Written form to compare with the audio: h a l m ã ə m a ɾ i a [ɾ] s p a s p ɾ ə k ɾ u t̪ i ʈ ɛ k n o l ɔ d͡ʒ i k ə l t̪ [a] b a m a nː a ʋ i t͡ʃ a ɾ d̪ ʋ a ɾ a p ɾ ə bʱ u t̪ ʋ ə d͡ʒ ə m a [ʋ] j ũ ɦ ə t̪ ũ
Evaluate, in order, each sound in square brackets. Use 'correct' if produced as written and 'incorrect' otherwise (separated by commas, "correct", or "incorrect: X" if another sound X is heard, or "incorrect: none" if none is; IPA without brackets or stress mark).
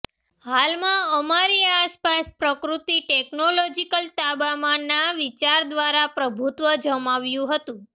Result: incorrect: none, correct, correct